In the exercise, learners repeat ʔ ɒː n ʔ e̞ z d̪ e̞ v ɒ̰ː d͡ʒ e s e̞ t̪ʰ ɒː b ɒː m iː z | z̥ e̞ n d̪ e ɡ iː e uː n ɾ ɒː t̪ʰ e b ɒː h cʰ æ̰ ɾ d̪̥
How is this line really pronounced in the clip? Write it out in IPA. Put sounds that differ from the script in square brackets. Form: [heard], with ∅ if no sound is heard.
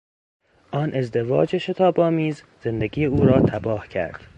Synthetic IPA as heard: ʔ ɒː n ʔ e̞ z d̪ e̞ v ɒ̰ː d͡ʒ e [ʃ] e̞ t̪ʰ ɒː b ɒː m iː z | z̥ e̞ n d̪ e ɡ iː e uː [∅] ɾ ɒː t̪ʰ [æ] b ɒː h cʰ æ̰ ɾ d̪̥